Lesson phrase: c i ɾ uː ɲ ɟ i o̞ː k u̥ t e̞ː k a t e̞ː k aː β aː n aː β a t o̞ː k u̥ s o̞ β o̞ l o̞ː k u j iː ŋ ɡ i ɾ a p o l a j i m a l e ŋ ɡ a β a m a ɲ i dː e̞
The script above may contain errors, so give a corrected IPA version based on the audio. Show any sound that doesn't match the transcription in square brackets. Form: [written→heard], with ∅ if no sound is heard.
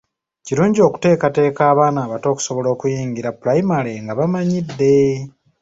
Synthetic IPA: c i ɾ uː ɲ ɟ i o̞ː k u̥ t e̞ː k a t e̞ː k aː β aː n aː β a t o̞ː k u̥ s o̞ β o̞ l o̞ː k u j iː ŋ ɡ i ɾ a p [o→u] l a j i m a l e ŋ ɡ a β a m a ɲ i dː e̞